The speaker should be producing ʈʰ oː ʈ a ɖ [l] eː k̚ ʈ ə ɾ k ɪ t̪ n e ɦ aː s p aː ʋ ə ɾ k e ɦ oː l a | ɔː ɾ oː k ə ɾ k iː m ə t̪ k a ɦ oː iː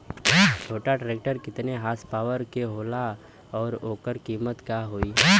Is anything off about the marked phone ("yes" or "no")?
yes